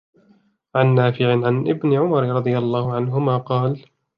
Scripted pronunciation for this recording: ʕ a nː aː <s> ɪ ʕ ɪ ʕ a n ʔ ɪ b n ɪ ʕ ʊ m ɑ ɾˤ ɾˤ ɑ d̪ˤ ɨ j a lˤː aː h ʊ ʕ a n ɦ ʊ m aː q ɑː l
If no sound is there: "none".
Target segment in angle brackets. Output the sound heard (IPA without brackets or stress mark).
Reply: f